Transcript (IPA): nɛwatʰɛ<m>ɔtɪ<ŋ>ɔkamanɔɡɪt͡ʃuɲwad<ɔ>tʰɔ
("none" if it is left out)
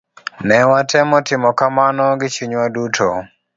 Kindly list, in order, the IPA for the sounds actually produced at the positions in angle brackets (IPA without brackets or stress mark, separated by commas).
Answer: m, m, u